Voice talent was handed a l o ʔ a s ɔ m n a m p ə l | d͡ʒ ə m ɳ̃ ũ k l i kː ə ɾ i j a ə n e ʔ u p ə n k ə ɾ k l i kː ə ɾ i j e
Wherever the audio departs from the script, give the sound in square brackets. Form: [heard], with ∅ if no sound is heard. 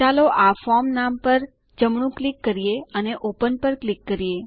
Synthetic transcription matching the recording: a l o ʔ a [f] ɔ m n a m p ə [ɾ] | d͡ʒ ə m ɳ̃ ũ k l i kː ə ɾ i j [e] ə n e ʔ [o] p ə n [p] ə ɾ k l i kː ə ɾ i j e

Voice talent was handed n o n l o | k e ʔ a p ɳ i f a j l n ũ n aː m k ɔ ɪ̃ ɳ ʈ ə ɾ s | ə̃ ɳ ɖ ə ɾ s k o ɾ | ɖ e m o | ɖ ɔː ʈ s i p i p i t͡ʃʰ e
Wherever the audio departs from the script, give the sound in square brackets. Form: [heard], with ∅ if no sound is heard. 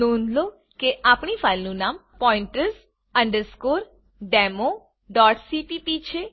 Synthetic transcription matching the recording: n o n l o | k e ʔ a p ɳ i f a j l n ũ n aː m [p] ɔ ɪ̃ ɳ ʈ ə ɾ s | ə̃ ɳ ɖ ə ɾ s k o ɾ | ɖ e m o | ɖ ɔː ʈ s i p i p i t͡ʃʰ e

